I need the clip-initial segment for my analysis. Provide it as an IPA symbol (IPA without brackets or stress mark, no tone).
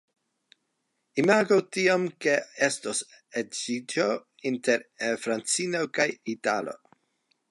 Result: i